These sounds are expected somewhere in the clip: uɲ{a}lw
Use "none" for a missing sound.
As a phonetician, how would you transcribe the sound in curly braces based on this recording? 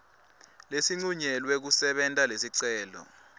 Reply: ɛ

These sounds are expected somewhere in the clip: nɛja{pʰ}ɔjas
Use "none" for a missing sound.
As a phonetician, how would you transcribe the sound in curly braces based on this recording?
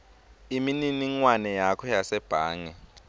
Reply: kʰ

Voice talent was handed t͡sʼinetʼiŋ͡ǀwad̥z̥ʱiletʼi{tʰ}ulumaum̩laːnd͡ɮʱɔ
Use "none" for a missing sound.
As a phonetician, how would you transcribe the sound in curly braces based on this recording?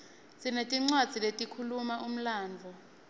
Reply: kʰ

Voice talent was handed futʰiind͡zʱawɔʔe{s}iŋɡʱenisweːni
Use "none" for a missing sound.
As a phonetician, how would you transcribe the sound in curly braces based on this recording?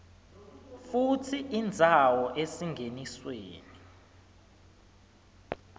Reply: s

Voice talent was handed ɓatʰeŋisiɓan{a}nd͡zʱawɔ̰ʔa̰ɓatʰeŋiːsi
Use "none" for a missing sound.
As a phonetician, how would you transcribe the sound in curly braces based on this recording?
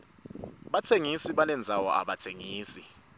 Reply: ɛ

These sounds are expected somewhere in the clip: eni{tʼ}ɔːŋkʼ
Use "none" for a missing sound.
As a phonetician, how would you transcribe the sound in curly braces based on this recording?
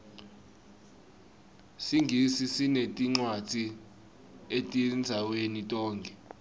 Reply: tʼ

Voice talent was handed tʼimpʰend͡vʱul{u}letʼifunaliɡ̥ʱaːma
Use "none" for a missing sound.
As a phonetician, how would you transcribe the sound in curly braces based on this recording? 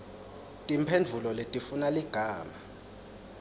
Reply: ɔ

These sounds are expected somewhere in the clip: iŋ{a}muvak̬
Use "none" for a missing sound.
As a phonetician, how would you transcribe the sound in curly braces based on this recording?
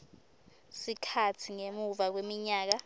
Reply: e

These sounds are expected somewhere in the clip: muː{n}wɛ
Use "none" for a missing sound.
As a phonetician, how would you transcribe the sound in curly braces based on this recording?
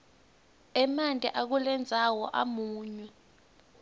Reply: ɲ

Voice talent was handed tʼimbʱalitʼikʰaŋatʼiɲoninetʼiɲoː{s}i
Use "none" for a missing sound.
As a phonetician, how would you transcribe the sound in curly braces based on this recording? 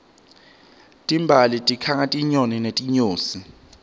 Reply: s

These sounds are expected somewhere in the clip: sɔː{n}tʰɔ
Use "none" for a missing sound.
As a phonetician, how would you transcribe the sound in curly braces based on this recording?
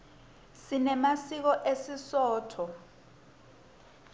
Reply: none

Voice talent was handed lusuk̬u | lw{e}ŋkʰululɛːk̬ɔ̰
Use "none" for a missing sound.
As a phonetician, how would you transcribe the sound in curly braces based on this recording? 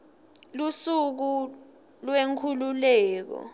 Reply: e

